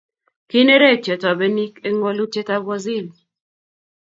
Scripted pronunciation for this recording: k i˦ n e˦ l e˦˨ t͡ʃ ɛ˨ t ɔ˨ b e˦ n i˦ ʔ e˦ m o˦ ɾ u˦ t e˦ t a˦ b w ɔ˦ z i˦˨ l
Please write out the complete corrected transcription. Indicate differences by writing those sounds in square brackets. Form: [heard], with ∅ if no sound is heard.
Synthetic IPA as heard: k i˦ n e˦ [ɾ] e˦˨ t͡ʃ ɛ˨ t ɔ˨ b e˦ n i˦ [k] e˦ [ŋ] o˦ [l] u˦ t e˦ t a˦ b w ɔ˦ z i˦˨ l